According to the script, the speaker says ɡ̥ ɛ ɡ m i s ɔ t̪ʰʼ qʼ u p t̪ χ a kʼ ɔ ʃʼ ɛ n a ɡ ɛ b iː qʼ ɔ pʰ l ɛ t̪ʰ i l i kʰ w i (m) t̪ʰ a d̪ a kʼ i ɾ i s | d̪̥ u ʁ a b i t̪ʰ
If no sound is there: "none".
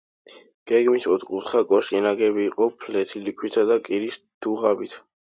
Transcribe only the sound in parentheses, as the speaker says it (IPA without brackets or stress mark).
none